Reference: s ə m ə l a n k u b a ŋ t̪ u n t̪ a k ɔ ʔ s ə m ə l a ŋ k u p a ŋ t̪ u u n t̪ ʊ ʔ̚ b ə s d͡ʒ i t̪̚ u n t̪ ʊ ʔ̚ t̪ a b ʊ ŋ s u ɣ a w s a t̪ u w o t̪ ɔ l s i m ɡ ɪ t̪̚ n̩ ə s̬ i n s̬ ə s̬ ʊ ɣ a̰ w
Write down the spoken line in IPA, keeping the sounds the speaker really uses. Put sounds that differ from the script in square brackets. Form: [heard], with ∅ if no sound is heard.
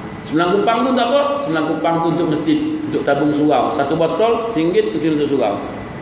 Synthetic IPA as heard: s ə m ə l a [ŋ] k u [p] a ŋ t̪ u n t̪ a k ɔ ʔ s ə m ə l a ŋ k u p a ŋ t̪ u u n t̪ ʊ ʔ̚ [m] ə s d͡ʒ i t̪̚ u n t̪ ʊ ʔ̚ t̪ a b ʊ ŋ s u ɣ a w s a t̪ u [b] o t̪ ɔ l s i [ŋ] ɡ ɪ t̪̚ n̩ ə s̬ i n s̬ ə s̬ [u] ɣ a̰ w